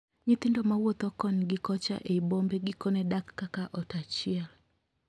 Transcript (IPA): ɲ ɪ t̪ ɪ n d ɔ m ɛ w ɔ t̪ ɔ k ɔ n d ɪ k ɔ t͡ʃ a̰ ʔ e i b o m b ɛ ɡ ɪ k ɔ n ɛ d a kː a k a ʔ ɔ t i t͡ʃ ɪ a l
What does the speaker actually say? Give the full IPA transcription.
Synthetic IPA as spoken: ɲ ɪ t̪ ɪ n d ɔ m a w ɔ t̪ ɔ k ɔ n ɡ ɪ k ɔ t͡ʃ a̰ ʔ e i b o m b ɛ ɡ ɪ k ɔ n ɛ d a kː a k a ʔ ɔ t a t͡ʃ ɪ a l